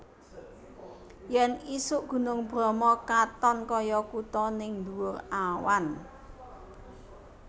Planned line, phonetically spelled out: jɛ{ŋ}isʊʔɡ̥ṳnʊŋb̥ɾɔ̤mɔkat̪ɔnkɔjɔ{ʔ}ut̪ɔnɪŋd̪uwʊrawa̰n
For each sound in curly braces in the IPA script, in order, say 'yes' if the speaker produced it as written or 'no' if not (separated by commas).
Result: no, no